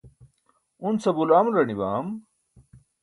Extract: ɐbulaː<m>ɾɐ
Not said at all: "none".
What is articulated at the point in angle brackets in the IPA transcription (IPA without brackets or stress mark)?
m